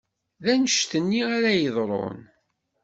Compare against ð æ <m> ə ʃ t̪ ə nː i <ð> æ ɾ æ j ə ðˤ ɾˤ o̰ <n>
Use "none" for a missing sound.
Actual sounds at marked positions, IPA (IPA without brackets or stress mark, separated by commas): n, none, n